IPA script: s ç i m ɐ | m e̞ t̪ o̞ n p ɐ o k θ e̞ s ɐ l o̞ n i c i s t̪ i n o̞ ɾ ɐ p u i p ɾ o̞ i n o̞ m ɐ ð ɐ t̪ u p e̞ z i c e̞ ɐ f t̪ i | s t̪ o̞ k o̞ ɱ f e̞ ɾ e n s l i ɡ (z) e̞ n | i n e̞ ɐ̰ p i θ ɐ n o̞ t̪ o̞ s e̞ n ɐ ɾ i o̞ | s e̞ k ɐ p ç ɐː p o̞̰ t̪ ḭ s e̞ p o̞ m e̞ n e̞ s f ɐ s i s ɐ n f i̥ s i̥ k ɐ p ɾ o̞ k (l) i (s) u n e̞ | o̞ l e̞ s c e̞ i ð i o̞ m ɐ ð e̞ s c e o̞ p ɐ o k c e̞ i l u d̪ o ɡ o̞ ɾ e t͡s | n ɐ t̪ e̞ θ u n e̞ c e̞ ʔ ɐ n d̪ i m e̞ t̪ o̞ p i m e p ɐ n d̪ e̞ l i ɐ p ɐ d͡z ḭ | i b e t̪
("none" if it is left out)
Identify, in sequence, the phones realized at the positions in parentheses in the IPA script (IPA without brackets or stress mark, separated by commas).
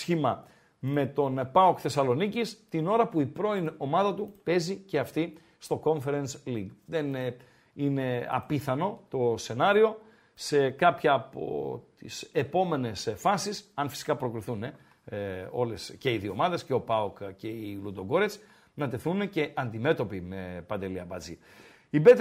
ð, ɾ, θ